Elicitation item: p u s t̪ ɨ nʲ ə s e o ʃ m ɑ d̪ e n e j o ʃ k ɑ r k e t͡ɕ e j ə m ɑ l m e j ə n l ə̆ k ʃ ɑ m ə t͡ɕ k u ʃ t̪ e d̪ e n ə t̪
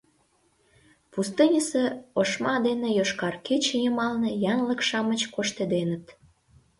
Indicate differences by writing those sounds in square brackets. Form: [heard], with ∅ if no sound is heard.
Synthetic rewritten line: p u s t̪ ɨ nʲ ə s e o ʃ m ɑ d̪ e n e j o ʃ k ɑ r k e t͡ɕ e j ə m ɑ l [n] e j [ɑ] n l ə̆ k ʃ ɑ m ə t͡ɕ k [o] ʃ t̪ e d̪ e n ə t̪